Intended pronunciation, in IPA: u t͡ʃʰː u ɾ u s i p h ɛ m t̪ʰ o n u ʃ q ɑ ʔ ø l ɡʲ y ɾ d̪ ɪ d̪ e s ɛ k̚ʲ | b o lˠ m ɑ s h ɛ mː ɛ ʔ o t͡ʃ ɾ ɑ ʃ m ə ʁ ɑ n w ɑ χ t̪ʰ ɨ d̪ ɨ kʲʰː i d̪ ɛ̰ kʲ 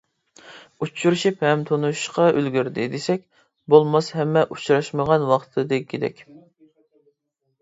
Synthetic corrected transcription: u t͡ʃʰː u ɾ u ʃ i p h ɛ m t̪ʰ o n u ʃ q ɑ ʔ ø l ɡʲ y ɾ d̪ ɪ d̪ e s ɛ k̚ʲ | b o lˠ m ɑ s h ɛ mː ɛ ʔ u t͡ʃ ɾ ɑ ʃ m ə ʁ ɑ n w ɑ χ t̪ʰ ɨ d̪ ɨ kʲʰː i d̪ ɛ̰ kʲ